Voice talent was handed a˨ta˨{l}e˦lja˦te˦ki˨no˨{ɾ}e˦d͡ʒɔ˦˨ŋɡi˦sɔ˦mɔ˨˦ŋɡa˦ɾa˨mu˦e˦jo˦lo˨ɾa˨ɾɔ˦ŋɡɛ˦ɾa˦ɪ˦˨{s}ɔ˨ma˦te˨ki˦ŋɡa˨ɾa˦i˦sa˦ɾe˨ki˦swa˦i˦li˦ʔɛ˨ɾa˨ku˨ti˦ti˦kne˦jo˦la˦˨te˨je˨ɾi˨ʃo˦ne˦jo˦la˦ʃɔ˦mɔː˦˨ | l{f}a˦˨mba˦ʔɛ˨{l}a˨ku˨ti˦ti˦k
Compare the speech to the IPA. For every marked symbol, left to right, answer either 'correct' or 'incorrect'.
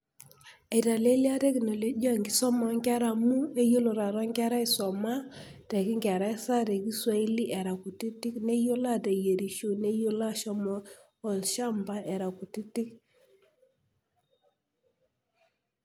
correct, incorrect, correct, incorrect, incorrect

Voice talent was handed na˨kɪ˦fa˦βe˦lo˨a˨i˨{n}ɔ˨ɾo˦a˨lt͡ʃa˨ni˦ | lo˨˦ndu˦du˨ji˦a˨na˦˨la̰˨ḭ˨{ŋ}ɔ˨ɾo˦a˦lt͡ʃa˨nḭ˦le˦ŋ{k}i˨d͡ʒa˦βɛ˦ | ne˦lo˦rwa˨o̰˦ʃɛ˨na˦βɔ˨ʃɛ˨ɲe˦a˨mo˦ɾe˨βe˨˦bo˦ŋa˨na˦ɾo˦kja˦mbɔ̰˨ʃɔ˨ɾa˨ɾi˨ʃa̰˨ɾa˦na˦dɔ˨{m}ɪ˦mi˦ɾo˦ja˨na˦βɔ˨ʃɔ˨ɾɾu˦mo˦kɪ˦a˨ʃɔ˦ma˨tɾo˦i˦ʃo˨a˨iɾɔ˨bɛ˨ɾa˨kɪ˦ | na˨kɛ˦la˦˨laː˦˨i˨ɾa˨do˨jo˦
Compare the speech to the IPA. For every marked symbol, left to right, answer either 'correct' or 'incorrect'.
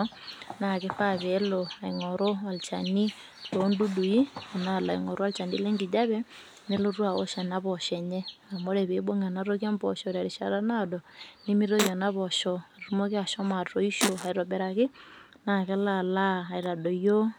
incorrect, correct, incorrect, incorrect

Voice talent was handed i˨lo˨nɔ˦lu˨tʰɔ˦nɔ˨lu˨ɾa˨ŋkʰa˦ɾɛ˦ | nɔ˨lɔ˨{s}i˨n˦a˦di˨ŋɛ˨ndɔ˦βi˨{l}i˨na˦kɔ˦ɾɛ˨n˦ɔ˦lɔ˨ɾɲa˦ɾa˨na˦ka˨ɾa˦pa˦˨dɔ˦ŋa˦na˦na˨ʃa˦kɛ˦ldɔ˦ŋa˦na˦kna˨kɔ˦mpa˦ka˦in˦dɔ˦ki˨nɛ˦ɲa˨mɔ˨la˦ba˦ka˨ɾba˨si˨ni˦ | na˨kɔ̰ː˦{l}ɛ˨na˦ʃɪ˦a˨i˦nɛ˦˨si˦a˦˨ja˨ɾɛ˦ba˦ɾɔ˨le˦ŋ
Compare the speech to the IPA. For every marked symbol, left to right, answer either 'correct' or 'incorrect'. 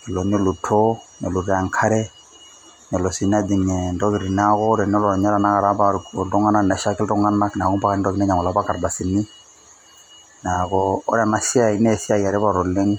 correct, incorrect, incorrect

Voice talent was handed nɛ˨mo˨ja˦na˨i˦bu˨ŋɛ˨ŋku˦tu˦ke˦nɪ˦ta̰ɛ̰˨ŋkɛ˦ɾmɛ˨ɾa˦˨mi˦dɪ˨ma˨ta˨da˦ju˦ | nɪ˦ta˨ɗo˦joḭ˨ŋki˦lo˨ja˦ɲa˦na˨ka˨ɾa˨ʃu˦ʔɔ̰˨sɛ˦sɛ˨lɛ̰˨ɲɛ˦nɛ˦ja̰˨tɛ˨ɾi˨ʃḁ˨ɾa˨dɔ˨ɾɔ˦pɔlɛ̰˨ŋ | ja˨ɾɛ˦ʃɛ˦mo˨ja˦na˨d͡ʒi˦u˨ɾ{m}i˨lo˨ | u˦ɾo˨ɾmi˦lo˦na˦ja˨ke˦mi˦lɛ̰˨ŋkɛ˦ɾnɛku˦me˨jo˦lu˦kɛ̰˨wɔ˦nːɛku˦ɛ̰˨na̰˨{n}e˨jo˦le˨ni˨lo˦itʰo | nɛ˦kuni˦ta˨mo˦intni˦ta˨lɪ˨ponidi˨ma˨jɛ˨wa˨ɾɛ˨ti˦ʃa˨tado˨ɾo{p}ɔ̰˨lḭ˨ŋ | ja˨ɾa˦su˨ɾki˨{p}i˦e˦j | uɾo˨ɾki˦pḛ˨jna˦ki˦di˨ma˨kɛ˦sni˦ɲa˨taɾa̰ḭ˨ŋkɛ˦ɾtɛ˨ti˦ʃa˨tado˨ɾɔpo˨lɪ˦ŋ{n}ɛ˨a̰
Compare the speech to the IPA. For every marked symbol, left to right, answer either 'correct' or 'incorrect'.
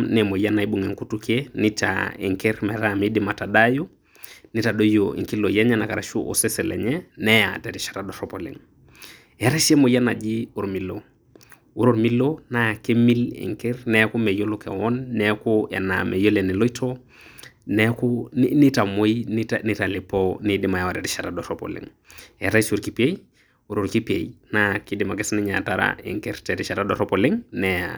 correct, incorrect, correct, correct, correct

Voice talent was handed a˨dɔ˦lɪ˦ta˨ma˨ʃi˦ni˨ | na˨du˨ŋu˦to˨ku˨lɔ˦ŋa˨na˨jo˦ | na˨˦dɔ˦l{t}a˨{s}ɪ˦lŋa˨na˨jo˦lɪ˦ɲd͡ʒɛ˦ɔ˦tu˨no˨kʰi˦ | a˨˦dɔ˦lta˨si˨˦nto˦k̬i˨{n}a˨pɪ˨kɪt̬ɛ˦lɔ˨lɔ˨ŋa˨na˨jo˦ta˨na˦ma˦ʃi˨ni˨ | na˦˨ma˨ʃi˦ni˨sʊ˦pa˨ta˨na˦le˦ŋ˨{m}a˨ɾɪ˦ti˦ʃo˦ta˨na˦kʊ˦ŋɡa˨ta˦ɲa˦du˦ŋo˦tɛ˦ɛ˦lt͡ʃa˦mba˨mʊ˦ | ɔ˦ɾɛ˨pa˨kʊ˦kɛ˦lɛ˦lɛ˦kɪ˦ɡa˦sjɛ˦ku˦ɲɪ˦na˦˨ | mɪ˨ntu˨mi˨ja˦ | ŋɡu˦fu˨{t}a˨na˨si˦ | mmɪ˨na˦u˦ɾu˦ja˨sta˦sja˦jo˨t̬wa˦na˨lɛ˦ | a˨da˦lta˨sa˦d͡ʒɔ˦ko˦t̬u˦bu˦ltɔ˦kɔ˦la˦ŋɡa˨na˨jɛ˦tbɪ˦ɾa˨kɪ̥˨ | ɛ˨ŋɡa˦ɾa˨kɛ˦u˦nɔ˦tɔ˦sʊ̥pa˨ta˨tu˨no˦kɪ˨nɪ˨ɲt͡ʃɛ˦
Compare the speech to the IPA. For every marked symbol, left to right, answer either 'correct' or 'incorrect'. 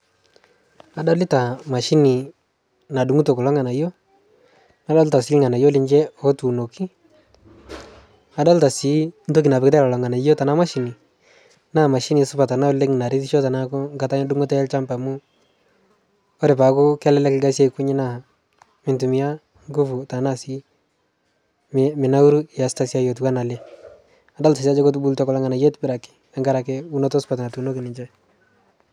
correct, correct, correct, incorrect, correct

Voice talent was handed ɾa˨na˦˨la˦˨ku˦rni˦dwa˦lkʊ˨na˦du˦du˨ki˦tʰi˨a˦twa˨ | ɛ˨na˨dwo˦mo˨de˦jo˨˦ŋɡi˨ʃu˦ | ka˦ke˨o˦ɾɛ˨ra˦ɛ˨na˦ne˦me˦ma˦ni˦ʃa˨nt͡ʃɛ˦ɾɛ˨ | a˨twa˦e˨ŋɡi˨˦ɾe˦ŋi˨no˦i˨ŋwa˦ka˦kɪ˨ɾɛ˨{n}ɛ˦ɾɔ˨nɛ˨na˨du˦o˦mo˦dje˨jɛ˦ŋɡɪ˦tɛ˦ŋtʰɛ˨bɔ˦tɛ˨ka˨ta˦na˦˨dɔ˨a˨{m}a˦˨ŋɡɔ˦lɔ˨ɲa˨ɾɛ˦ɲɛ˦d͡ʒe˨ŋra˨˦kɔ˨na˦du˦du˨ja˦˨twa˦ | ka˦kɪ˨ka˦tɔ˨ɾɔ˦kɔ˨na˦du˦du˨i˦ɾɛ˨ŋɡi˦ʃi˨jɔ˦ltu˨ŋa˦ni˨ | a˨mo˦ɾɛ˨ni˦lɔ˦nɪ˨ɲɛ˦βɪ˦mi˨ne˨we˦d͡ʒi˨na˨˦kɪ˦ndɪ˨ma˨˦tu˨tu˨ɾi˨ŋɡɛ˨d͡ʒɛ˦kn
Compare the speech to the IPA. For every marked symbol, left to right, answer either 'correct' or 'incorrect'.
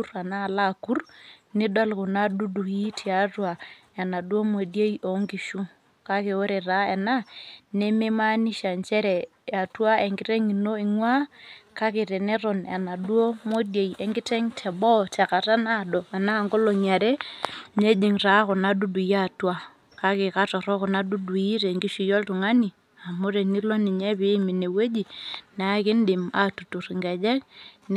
correct, incorrect

